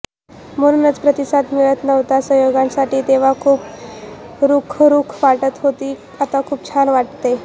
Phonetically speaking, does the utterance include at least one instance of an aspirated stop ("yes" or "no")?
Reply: yes